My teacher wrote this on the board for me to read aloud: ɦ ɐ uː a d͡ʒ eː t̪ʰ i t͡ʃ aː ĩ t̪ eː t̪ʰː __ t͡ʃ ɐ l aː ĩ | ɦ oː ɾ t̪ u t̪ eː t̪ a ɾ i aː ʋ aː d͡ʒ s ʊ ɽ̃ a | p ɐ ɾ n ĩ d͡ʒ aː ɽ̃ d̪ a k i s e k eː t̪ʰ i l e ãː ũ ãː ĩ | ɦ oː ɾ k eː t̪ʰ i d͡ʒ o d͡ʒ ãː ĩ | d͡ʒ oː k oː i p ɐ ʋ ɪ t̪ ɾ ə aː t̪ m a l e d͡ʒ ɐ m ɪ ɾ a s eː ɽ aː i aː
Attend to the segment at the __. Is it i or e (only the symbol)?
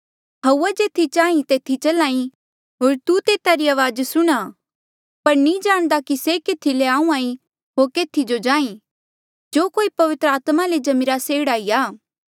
i